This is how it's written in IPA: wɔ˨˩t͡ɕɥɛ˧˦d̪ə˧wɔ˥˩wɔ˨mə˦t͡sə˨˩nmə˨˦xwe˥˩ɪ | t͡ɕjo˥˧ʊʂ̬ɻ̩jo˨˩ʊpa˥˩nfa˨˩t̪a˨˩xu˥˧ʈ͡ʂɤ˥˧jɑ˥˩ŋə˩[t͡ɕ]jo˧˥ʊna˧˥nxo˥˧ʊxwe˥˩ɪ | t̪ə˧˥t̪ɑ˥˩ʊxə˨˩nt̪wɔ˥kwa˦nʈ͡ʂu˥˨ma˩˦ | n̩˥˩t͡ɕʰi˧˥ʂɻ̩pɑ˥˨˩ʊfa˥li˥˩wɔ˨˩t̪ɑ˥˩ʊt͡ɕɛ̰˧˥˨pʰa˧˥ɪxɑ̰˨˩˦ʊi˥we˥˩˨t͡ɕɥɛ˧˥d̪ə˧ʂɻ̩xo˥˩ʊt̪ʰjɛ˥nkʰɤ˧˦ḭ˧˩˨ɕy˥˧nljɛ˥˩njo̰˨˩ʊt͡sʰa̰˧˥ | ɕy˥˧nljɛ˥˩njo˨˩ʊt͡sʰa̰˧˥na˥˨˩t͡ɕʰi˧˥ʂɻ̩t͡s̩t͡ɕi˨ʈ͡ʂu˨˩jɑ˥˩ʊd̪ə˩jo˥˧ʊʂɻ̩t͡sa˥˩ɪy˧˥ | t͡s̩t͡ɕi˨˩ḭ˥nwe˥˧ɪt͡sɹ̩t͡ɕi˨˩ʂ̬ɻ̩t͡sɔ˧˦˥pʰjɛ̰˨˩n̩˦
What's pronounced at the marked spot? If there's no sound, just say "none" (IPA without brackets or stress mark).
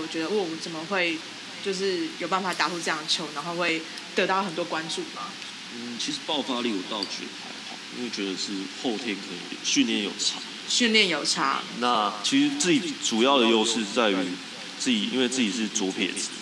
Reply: t͡ɕʰ